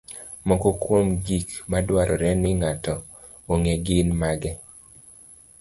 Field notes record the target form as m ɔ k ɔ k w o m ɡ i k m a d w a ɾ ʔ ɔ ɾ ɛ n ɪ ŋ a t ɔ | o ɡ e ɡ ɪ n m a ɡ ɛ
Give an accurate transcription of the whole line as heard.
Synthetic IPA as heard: m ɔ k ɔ k w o m ɡ i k m a d w a ɾ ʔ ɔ ɾ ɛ n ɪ ŋ a t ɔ | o ŋ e ɡ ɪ n m a ɡ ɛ